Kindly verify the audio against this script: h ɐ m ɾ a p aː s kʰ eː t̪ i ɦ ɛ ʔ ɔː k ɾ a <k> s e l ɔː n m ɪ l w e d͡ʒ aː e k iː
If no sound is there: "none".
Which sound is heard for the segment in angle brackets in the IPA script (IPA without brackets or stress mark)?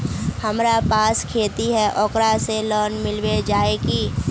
none